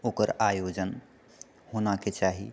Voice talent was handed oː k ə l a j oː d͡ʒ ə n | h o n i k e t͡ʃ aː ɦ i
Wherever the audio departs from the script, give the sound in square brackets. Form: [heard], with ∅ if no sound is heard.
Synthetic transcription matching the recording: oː k ə [ɾ] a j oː d͡ʒ ə n | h o n [a] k e t͡ʃ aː ɦ i